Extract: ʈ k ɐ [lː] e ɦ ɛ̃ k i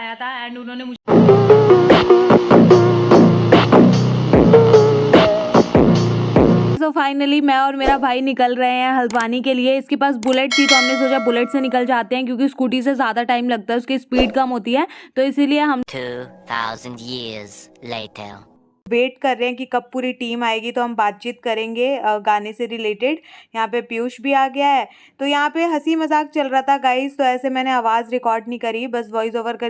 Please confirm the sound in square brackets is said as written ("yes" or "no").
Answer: no